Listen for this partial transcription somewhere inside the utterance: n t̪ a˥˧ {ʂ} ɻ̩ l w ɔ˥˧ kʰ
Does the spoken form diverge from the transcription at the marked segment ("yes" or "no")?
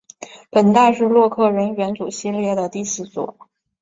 no